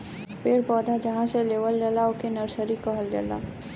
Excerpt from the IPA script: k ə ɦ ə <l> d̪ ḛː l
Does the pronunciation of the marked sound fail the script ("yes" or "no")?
no